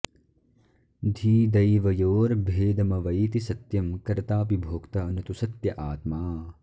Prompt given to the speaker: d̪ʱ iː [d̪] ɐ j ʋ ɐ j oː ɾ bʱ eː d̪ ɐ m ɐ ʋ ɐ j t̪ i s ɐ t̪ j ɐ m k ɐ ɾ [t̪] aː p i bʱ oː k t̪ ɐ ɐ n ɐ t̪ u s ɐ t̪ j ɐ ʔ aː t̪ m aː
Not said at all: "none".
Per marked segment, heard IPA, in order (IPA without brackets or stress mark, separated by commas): d̪, t̪